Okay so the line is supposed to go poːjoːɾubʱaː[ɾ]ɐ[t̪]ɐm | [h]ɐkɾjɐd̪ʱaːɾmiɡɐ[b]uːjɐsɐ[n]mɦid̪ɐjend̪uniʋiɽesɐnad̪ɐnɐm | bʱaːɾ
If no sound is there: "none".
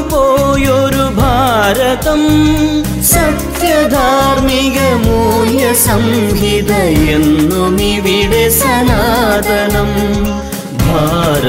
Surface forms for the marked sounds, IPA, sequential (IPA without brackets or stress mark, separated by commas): ɾ, t̪, s, m, none